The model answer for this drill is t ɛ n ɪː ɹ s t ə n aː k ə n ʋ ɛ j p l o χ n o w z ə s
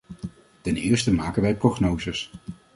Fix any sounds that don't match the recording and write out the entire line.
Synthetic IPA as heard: t ɛ n ɪː ɹ s t ə m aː k ə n ʋ ɛ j p r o χ n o w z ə s